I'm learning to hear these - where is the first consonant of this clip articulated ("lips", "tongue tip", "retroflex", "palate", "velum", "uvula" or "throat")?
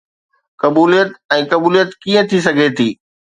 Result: velum